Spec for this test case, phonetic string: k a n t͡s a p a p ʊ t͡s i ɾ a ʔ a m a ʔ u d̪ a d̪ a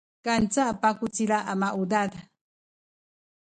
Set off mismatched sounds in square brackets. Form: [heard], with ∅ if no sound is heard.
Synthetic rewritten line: k a n t͡s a p a [k] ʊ t͡s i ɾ a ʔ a m a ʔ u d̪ a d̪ a